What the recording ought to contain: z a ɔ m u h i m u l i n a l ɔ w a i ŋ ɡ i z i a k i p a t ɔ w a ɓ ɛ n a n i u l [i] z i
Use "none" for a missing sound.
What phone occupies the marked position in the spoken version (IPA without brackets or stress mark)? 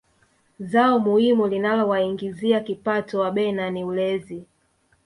ɛ